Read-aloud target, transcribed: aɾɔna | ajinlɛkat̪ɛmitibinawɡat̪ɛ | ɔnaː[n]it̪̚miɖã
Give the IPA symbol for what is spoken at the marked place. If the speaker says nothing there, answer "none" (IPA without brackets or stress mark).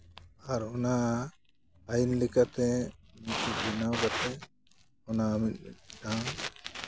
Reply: m